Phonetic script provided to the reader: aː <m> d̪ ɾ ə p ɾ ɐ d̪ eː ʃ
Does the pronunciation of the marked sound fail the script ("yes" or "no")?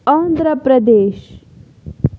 yes